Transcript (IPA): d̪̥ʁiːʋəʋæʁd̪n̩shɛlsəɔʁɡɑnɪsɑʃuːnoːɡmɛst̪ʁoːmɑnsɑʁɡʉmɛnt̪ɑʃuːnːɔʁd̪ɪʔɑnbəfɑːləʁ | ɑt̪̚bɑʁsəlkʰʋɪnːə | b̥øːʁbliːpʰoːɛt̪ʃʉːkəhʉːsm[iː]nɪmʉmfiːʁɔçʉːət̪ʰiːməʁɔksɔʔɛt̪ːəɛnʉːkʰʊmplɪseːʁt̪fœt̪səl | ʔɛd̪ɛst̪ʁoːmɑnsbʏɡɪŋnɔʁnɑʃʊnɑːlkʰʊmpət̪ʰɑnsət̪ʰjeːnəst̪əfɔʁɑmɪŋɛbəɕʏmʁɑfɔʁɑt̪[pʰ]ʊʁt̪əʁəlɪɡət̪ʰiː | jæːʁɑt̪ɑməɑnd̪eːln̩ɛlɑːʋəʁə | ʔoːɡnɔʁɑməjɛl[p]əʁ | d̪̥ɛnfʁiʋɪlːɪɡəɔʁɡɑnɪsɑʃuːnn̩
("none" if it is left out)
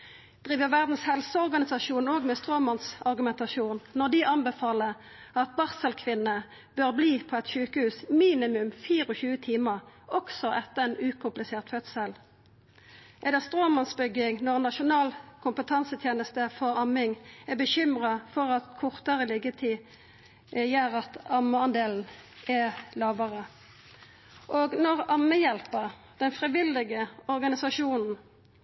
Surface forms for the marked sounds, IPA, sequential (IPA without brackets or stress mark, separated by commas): iː, kʰ, p